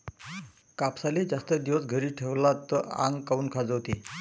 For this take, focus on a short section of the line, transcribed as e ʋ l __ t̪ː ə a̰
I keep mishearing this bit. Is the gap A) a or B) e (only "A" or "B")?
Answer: A